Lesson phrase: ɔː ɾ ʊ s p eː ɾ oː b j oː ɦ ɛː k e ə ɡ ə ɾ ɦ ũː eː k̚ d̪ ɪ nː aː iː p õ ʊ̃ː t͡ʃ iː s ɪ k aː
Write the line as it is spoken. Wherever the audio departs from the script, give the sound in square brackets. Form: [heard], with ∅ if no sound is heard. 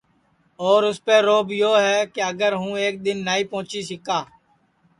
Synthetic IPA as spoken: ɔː ɾ ʊ s p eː ɾ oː b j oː ɦ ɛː k e ə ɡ ə ɾ ɦ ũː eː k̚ d̪ ɪ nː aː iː p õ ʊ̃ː t͡ʃ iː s ɪ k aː